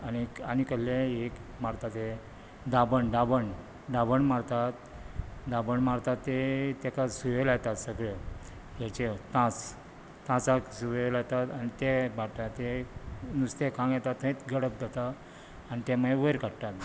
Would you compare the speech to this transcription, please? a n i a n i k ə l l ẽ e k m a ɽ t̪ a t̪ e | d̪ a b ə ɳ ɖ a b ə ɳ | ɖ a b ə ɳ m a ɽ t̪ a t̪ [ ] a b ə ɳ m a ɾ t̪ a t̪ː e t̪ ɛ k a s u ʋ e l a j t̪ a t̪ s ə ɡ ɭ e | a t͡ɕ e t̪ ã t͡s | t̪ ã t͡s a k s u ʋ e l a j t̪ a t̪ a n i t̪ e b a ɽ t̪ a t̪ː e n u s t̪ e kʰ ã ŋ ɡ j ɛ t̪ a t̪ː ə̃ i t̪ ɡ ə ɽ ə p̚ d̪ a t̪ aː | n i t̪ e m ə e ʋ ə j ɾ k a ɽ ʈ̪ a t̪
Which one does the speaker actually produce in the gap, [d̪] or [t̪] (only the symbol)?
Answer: d̪